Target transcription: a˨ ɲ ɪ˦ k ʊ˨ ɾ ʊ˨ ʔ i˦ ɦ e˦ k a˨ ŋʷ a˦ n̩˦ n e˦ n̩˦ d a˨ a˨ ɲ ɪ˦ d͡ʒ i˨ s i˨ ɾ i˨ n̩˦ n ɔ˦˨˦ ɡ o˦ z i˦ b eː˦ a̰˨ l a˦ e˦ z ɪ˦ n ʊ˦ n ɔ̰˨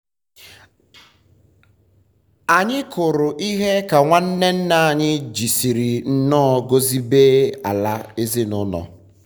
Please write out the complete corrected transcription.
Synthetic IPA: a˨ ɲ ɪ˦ k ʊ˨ ɾ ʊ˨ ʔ i˦ ɦ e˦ k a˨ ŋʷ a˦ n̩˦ n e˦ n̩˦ n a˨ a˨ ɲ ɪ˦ d͡ʒ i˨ s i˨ ɾ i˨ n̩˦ n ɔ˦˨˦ ɡ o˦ z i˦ b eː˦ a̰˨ l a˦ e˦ z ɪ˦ n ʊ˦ n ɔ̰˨

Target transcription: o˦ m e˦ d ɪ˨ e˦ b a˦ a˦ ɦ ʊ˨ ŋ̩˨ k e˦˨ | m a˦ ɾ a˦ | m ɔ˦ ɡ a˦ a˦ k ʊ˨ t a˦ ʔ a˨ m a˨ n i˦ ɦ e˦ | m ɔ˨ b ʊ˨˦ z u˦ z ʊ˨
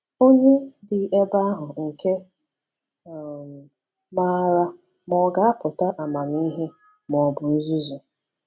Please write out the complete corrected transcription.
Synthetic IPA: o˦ ɲ e˦ d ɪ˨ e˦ b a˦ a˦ ɦ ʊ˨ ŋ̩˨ k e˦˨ | m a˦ ɾ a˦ | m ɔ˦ ɡ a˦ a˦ p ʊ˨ t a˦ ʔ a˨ m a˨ n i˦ ɦ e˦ | m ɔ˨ b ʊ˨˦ z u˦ z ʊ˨

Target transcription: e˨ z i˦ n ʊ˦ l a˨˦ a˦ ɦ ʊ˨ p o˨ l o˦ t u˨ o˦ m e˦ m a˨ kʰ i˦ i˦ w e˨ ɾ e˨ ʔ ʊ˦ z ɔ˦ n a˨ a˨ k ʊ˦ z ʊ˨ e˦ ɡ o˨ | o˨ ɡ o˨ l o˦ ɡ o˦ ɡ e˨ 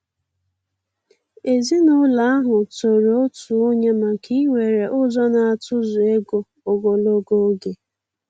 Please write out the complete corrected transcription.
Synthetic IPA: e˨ z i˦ n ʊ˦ l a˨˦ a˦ ɦ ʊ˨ t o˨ ɾ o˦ t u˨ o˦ ɲ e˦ m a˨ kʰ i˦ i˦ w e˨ ɾ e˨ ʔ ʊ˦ z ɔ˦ n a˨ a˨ t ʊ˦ z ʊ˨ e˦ ɡ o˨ | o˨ ɡ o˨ l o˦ ɡ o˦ ɡ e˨

